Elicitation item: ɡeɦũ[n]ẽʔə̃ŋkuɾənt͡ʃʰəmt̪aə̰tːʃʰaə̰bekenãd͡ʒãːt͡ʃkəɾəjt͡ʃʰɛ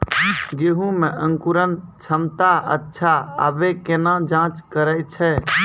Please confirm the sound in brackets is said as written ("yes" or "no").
no